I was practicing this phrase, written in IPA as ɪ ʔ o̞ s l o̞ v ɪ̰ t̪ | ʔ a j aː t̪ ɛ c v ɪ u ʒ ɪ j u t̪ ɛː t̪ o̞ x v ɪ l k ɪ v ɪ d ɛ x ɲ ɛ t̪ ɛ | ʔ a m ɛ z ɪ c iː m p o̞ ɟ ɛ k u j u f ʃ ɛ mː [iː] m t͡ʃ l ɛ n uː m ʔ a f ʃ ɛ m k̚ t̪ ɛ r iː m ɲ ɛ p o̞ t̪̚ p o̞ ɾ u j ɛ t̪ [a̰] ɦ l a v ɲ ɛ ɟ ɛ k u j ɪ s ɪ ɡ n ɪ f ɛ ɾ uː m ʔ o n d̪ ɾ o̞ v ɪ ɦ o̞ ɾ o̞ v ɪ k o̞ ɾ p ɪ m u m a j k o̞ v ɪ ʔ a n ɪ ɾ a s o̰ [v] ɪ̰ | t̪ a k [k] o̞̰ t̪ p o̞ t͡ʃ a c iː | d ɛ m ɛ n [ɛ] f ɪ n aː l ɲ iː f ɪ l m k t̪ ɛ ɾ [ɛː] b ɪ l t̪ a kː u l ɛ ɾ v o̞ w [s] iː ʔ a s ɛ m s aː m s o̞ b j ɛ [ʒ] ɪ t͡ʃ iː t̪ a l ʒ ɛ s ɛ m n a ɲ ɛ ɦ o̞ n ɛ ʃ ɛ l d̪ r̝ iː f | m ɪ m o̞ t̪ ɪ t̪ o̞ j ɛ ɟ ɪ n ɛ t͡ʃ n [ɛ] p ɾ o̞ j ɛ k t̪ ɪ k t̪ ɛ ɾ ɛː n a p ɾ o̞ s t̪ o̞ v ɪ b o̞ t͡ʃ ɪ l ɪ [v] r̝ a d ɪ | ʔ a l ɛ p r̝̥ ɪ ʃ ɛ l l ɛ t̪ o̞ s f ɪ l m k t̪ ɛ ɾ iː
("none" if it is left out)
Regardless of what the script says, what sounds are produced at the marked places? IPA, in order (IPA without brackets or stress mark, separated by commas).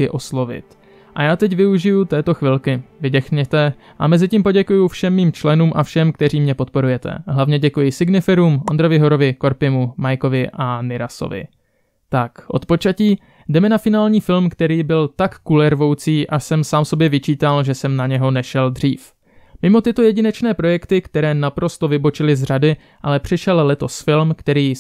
iː, ɛ̰, v, ʔ, a, iː, t͡s, v, ɛː, z